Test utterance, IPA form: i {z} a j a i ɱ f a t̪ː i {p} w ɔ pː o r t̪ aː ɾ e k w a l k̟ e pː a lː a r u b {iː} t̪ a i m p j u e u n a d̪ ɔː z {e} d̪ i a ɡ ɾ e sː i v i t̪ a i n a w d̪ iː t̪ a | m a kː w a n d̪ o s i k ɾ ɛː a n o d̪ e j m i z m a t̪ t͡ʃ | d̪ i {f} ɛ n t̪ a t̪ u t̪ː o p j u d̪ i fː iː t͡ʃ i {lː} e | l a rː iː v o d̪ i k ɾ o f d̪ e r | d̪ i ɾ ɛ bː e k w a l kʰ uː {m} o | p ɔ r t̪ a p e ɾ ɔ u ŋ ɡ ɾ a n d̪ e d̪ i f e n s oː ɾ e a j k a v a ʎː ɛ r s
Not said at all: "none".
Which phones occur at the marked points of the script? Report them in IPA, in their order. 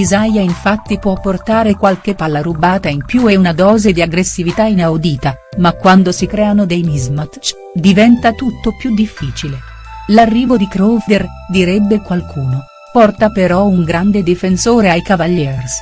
z, p, aː, e, v, l, n

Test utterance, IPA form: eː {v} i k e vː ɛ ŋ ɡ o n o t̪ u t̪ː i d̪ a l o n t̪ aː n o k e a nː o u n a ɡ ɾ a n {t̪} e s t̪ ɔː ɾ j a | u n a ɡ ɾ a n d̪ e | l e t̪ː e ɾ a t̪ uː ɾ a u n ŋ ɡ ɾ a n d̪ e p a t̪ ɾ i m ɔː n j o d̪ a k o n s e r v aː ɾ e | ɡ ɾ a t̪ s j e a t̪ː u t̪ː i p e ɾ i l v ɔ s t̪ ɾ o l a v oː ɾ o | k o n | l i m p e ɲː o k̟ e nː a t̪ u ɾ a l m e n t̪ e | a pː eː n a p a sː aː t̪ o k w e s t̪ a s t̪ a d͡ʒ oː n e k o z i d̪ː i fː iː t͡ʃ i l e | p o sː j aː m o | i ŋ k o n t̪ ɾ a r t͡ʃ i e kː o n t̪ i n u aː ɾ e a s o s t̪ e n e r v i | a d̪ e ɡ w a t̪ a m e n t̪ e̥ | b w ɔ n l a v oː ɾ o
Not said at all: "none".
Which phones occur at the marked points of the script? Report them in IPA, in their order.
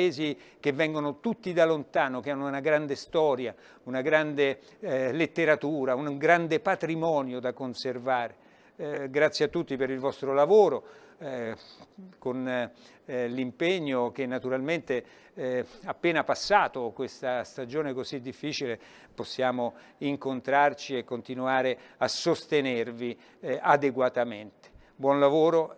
z, d̪

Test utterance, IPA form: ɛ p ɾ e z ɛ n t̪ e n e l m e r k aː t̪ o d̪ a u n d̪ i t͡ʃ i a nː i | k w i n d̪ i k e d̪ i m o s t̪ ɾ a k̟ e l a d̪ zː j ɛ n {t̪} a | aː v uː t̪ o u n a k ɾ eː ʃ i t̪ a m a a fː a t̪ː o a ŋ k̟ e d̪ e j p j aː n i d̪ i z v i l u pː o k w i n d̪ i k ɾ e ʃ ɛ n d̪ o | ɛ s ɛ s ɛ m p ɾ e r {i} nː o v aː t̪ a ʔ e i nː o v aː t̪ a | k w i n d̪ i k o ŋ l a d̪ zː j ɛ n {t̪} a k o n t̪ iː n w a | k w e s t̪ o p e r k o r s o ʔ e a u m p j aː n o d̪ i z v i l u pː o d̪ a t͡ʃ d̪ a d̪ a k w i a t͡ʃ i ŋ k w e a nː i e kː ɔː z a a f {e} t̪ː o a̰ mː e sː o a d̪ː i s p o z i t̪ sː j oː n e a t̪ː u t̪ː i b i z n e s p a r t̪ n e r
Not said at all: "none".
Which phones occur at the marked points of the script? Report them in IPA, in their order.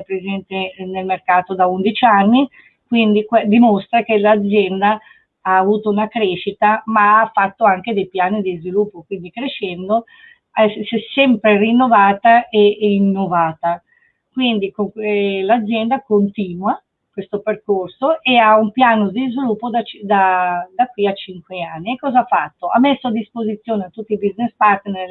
d̪, i, d̪, a

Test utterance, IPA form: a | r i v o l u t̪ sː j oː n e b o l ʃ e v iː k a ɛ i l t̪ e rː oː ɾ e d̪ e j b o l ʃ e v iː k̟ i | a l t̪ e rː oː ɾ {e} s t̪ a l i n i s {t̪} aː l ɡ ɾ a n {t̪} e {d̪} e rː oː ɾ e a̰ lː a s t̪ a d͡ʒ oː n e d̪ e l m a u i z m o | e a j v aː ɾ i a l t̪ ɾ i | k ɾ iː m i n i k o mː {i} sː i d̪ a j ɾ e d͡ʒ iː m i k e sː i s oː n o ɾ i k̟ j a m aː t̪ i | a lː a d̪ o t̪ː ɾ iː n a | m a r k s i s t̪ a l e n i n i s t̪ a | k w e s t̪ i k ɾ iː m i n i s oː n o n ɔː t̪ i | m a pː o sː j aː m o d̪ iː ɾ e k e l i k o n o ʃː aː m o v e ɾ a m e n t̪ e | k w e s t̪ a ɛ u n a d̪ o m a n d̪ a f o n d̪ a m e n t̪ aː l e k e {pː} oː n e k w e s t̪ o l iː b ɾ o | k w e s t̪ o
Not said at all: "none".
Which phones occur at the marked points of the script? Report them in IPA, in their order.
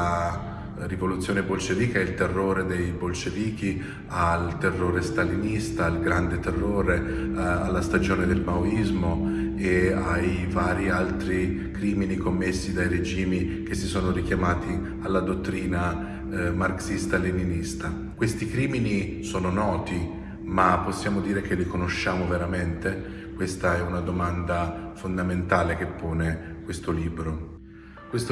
e, t̪, d̪, t̪, e, pː

